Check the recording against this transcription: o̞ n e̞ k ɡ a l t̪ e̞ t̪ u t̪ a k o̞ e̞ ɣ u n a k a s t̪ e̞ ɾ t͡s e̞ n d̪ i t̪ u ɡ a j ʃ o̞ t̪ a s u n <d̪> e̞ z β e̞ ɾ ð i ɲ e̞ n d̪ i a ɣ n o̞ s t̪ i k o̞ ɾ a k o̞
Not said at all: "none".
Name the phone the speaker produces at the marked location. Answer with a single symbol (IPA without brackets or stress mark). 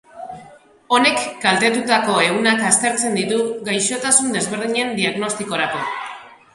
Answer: d̪